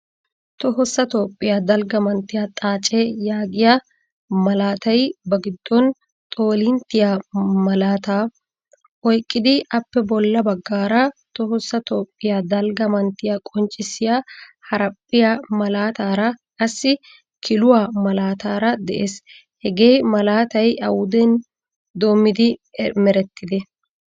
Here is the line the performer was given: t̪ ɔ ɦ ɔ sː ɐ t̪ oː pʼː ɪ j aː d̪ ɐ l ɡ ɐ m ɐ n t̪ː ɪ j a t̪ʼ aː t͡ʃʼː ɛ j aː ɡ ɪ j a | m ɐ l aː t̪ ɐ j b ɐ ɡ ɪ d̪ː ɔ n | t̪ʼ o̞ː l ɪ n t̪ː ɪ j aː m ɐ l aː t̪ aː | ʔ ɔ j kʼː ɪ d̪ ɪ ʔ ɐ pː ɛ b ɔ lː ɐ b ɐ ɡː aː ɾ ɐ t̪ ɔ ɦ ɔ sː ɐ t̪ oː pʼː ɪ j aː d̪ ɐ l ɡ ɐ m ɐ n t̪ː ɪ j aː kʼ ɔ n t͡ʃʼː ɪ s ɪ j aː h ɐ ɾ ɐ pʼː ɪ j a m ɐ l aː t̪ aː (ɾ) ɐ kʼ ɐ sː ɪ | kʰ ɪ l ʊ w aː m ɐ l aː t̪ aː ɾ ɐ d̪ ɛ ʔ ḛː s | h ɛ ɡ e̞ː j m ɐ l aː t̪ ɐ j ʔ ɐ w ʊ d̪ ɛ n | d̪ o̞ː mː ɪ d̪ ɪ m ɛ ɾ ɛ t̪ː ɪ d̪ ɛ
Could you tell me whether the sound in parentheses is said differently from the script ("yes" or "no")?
no